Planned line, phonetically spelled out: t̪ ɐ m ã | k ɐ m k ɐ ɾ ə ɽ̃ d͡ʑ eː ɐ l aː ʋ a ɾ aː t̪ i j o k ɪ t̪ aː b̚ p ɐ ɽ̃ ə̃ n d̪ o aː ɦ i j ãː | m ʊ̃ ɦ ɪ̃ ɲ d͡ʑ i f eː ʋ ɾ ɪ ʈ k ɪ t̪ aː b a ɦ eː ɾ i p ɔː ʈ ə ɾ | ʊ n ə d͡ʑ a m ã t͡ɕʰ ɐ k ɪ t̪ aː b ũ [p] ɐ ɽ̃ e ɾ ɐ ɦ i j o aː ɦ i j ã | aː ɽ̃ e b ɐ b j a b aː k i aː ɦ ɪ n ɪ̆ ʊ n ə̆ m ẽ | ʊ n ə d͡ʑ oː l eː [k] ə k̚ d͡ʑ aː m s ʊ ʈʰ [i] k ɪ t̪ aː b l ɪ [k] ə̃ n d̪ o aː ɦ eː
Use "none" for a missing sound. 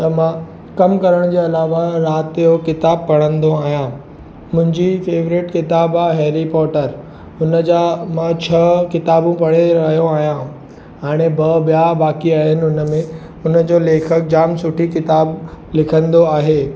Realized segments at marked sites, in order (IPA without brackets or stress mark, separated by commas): p, kʰ, i, kʰ